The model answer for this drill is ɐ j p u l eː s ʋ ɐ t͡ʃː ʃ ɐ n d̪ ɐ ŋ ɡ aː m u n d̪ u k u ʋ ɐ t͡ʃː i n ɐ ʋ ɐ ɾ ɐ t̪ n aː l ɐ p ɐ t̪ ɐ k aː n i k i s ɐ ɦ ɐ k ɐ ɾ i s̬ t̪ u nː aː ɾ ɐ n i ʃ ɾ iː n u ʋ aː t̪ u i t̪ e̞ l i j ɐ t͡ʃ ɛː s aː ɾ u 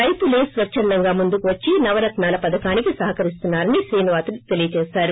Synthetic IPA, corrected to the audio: ɐ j p u l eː s ʋ ɐ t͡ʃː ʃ ɐ n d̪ ɐ ŋ ɡ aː m u n d̪ u k u ʋ ɐ t͡ʃː i n ɐ ʋ ɐ ɾ ɐ t̪ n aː l ɐ p ɐ d̪ ɐ k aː n i k i s ɐ ɦ ɐ k ɐ ɾ i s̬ t̪ u nː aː ɾ ɐ n i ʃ ɾ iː n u ʋ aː t̪ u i t̪ e̞ l i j ɐ t͡ʃ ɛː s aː ɾ u

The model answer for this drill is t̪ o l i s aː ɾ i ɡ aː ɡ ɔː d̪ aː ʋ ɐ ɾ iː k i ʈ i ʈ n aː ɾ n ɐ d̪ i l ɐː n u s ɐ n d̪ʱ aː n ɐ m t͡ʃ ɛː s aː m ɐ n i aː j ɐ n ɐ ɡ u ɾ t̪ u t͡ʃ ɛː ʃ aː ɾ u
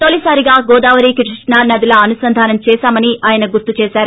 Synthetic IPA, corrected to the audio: t̪ o l i s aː ɾ i ɡ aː ɡ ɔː d̪ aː ʋ ɐ ɾ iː k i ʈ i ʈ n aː ɾ n ɐ d̪ i l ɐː n u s ɐ n d̪ʱ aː n ɐ m t͡ʃ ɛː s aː m ɐ n i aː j ɐ n ɐ ɡ u ɾ t̪ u t͡ʃ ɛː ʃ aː ɾ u

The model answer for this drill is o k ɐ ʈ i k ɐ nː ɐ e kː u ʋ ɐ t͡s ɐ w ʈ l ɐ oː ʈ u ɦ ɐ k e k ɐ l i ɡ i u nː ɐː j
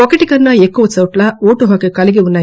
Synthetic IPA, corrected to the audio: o k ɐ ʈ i k ɐ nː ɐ e kː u ʋ ɐ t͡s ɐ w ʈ l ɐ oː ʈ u ɦ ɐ k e k ɐ l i ɡ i u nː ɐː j

